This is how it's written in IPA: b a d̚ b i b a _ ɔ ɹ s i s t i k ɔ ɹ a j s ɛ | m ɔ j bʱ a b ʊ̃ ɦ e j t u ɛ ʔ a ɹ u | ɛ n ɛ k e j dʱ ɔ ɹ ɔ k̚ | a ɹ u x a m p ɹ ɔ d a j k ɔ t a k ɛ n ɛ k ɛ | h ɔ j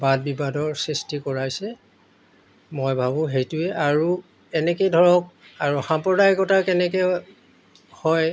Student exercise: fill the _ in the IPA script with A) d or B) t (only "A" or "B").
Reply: A